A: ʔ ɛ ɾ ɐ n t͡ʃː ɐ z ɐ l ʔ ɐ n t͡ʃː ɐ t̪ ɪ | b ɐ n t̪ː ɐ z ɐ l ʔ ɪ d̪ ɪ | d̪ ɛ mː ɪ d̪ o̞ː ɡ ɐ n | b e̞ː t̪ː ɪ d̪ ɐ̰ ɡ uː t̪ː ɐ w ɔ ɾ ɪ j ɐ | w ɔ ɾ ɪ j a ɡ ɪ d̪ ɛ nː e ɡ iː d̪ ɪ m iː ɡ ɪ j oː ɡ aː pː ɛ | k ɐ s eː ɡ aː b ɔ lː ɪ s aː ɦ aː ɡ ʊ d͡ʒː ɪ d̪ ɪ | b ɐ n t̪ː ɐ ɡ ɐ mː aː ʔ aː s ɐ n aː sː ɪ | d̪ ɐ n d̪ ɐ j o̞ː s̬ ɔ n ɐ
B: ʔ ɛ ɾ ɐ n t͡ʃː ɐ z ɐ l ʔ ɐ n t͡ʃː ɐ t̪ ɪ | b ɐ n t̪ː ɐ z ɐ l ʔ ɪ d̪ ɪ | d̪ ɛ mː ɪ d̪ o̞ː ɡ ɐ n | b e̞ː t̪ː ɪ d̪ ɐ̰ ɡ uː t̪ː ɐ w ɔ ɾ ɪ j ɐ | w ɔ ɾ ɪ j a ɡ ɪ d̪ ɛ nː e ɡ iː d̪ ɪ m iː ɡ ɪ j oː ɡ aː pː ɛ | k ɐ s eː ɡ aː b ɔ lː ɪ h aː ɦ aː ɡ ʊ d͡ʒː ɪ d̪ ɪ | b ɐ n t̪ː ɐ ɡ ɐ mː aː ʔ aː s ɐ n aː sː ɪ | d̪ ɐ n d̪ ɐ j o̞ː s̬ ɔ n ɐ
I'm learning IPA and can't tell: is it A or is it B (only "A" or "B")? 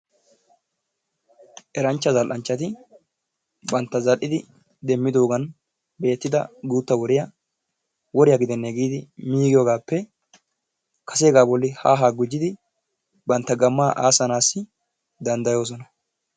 B